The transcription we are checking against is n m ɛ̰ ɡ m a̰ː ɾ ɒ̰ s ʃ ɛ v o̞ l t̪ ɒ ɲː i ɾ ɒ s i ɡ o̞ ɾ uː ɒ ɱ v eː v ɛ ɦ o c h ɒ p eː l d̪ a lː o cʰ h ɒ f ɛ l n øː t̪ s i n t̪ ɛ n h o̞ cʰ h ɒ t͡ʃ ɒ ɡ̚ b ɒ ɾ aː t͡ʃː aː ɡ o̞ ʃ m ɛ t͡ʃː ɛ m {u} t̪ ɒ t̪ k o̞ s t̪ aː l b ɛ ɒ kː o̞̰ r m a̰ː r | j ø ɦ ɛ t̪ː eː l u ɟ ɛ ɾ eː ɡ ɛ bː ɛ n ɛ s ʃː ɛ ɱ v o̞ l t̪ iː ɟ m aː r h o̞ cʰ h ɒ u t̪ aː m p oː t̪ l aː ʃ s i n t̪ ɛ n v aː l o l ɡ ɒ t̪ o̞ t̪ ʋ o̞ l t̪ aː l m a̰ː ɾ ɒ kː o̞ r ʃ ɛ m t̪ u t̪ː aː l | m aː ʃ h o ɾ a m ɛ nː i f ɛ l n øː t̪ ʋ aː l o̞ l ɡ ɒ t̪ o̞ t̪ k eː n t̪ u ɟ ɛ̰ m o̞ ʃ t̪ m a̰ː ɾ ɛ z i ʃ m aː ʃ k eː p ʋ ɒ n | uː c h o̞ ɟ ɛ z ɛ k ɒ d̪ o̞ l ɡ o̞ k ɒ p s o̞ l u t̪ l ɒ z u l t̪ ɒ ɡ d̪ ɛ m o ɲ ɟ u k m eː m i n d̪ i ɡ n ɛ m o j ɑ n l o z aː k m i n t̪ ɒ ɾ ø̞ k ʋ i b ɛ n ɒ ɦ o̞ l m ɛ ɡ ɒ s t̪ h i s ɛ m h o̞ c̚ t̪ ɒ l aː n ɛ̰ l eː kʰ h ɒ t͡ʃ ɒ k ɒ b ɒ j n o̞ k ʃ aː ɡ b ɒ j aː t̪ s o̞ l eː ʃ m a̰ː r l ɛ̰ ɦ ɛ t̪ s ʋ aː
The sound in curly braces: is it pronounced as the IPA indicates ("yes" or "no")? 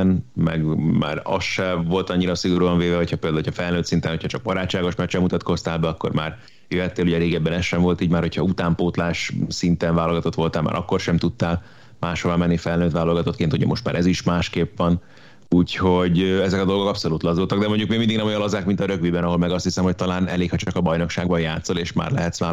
yes